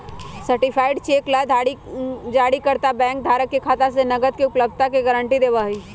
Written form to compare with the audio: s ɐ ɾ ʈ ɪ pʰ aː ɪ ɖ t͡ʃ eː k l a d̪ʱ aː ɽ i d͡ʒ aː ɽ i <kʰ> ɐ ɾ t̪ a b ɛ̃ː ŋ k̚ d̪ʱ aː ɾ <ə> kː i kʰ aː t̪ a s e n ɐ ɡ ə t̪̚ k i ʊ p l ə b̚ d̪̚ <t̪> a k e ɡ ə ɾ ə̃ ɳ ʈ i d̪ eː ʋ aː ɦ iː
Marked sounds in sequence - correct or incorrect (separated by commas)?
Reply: incorrect, correct, correct